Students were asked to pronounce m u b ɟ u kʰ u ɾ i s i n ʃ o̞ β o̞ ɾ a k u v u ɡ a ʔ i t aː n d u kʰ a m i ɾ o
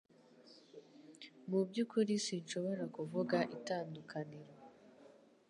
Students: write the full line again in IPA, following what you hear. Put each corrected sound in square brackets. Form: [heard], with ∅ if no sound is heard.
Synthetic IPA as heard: m u b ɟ u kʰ u ɾ i s i n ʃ o̞ β o̞ ɾ a k u v u ɡ a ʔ i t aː n d u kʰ a [n] i ɾ o